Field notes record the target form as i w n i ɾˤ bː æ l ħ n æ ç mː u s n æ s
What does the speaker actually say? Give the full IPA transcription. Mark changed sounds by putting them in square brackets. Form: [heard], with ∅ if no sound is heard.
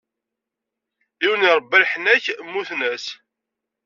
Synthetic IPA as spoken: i w n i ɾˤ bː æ l ħ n æ ç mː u [θ] n æ s